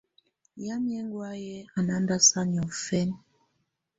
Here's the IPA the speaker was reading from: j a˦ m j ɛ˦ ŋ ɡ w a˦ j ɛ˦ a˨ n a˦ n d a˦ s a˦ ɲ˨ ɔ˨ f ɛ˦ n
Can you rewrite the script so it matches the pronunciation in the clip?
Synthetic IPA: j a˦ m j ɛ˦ ŋ ɡ w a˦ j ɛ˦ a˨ n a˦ n d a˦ s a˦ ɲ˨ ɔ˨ f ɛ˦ n

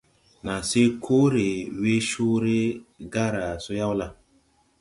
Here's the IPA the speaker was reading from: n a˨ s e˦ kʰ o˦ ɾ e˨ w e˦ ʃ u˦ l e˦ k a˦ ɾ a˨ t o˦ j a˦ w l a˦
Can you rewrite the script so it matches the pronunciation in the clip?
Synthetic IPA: n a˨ s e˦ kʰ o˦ ɾ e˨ w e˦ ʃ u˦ ɾ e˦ ɡ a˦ ɾ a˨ s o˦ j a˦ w l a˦

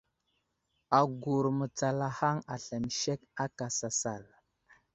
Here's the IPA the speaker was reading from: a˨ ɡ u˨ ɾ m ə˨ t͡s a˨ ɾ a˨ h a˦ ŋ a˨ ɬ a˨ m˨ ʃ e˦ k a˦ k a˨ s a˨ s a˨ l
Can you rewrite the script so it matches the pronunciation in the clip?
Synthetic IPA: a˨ ɡ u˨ ɾ m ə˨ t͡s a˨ l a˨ h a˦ ŋ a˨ ɬ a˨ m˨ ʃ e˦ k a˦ k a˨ s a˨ s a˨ l

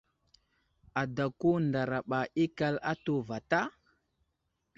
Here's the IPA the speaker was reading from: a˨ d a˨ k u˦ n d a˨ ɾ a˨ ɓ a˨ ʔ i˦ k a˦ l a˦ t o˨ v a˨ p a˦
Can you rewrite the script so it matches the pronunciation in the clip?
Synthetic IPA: a˨ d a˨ k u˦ n d a˨ ɾ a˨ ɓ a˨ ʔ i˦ k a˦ l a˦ t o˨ v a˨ t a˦

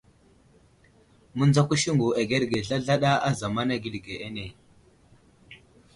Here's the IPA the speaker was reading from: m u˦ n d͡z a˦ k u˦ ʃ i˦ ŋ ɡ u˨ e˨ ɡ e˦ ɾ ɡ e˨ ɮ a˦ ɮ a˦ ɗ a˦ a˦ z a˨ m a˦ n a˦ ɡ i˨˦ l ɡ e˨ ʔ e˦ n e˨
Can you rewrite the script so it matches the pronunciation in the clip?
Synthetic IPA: m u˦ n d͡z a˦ k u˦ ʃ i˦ ŋ ɡ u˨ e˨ ɡ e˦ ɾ ɡ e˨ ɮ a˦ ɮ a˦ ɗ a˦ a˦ z a˨ m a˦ n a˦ ɡ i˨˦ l ɡ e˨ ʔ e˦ n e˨

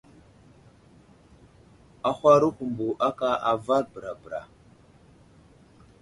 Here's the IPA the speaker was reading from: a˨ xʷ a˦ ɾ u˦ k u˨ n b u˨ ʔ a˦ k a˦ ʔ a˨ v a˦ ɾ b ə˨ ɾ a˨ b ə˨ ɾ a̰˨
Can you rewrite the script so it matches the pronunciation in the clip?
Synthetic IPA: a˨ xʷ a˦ ɾ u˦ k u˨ m b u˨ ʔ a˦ k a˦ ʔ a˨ v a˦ ɾ b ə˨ ɾ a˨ b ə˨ ɾ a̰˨

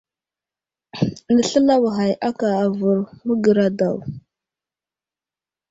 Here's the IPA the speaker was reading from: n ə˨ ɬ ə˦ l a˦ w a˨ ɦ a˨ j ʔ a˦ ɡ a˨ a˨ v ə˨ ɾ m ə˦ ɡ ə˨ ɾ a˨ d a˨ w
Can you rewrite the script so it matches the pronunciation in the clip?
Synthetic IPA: n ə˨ ɬ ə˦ l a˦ w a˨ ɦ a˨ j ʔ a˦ k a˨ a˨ v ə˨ ɾ m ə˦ ɡ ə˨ ɾ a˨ d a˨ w

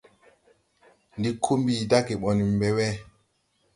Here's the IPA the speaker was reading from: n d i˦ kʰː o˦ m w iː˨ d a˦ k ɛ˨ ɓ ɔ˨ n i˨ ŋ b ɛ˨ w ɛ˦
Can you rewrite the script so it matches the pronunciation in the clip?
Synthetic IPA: n d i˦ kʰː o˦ m b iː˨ d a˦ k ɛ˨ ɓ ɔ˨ n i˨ m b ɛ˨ w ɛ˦

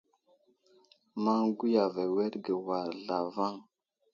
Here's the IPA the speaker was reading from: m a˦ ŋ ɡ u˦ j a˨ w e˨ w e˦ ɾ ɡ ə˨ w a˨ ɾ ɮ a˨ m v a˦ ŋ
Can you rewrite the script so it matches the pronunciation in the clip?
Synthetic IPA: m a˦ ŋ ɡ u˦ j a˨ v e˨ w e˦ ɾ ɡ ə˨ w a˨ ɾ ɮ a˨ v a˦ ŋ

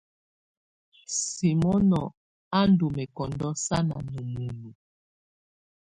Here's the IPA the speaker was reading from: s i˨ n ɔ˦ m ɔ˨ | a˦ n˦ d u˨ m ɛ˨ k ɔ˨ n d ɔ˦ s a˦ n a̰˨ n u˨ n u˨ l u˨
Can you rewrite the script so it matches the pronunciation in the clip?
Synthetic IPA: s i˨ m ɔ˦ n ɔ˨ | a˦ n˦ d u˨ m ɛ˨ k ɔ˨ n d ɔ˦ s a˦ n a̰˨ n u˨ m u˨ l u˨

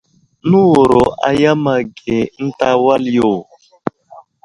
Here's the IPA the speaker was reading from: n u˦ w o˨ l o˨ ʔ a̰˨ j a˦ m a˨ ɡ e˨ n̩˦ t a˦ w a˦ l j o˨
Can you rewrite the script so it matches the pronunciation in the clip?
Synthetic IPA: n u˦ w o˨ ɾ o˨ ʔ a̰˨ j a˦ m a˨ ɡ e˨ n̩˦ t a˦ w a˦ l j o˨

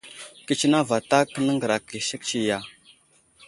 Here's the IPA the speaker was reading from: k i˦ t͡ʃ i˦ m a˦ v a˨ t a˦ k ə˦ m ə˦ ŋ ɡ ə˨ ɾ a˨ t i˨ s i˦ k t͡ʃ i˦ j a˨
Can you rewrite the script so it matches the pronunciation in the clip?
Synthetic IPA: k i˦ t͡ʃ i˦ n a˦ v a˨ t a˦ k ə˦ n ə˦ ŋ ɡ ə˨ ɾ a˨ k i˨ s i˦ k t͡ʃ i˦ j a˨

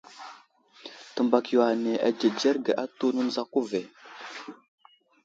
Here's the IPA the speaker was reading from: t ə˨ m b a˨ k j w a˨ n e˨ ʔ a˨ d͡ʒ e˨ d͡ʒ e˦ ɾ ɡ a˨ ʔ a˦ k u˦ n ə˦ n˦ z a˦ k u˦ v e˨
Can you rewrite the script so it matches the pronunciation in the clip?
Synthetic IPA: t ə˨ m b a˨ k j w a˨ n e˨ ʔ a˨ d͡ʒ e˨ d͡ʒ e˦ ɾ ɡ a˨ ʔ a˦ t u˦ n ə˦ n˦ z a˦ k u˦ v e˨

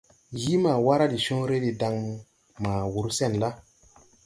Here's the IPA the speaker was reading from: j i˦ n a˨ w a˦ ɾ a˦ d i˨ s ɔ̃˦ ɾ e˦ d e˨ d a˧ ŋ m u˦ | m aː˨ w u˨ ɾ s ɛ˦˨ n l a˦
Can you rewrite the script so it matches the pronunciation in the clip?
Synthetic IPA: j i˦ m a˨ w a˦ ɾ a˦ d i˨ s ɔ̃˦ ɾ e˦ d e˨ d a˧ ŋ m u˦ | m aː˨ w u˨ ɾ s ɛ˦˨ n l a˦

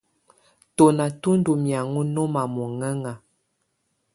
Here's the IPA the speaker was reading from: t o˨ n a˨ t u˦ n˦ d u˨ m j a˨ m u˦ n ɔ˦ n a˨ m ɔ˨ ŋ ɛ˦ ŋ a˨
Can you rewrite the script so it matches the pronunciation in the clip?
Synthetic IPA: t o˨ n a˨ t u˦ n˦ d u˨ m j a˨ ŋ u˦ n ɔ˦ m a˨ m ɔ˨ ŋ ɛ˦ ŋ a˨

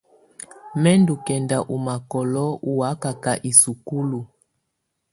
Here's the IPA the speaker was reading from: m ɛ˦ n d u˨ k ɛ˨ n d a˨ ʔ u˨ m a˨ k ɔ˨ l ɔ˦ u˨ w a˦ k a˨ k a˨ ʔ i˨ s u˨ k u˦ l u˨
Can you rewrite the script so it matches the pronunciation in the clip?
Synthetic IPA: m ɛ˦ n d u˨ k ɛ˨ n d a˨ ʔ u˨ m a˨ k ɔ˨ l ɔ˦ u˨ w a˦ k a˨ k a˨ ʔ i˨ s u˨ k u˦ l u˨

